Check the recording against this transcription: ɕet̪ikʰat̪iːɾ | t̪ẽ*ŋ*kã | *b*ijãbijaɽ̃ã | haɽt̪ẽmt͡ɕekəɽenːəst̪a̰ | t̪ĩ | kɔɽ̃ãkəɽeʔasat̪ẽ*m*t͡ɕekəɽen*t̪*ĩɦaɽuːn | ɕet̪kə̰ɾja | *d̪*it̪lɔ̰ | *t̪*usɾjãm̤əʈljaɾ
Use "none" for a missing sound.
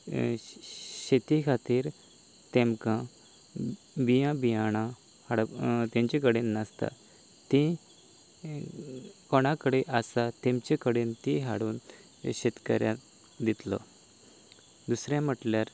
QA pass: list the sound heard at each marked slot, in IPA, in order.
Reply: m, b, m, t̪, d̪, d̪

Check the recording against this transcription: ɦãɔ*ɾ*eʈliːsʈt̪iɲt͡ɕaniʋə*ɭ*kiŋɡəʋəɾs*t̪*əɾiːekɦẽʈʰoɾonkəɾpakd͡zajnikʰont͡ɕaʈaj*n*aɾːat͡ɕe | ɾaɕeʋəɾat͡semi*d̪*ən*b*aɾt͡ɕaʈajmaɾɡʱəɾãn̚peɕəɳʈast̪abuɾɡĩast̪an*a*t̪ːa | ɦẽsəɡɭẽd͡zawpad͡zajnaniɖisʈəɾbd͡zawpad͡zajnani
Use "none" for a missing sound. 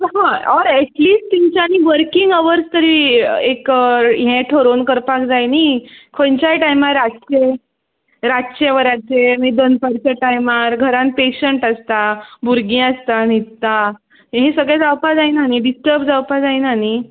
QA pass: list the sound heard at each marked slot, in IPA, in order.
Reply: ɾ, ɾ, t̪, m, d̪, p, i

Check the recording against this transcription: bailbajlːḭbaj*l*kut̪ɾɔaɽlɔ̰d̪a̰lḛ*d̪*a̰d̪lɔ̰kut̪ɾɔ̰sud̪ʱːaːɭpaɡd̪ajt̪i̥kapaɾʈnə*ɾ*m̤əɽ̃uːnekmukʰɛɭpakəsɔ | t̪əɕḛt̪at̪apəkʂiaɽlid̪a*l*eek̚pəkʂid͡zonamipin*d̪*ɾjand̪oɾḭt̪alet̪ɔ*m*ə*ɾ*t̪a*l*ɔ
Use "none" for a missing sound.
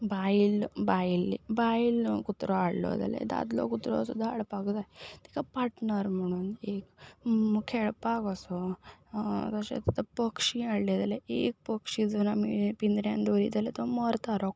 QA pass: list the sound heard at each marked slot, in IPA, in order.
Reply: l, d̪, ɾ, l, d̪, m, ɾ, ɾ

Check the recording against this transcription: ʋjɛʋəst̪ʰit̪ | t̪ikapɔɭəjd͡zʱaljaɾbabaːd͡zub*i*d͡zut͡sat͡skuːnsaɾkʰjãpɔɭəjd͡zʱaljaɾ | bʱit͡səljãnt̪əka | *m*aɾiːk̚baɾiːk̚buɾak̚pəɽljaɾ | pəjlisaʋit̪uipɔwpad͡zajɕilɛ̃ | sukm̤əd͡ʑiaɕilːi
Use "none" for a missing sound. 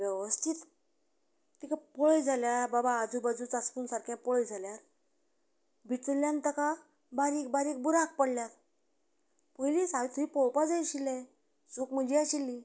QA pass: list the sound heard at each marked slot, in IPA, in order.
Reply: a, b

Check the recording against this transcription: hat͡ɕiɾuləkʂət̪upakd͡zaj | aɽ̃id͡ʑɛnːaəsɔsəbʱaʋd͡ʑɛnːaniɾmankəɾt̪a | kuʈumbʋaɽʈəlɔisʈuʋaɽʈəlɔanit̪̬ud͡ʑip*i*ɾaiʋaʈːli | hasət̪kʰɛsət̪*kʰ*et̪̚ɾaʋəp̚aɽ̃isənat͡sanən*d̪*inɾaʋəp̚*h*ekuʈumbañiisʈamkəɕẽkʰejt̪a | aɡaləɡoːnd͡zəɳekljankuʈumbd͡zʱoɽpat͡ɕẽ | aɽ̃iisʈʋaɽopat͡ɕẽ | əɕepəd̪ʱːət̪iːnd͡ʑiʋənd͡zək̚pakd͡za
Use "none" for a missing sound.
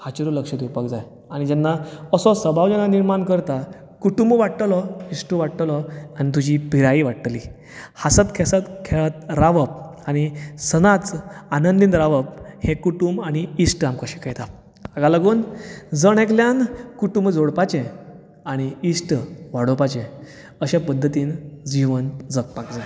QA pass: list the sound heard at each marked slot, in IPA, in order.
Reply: i, kʰ, d̪, h

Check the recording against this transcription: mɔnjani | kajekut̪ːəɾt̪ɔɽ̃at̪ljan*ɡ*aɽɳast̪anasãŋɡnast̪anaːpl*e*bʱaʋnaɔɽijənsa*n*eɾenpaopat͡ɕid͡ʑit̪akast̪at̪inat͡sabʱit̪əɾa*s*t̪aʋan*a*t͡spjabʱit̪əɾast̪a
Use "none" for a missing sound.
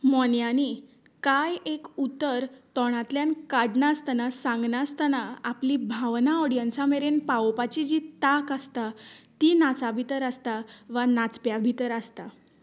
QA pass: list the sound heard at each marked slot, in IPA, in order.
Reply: k, i, m, s, a

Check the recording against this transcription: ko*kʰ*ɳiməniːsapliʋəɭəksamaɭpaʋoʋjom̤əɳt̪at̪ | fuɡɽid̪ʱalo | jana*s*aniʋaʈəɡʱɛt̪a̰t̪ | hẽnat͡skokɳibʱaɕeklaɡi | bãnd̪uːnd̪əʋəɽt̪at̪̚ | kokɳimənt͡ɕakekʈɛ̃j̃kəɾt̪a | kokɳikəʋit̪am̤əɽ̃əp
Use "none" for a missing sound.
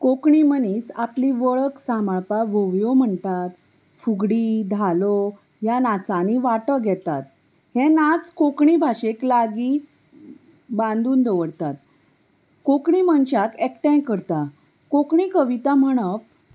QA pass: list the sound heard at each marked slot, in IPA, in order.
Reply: k, t͡s

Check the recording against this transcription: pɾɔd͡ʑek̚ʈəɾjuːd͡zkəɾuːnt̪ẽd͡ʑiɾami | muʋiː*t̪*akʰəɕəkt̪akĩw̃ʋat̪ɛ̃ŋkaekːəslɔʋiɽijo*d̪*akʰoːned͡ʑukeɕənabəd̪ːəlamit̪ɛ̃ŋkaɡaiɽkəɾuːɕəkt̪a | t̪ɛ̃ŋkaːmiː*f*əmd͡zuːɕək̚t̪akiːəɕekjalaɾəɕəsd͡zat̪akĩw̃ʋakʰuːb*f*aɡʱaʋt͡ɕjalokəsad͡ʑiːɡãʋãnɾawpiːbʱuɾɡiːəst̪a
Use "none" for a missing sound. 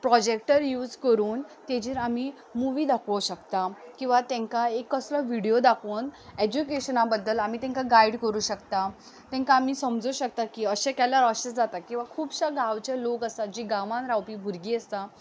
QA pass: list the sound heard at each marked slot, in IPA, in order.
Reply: d̪, d̪, s, ɕ

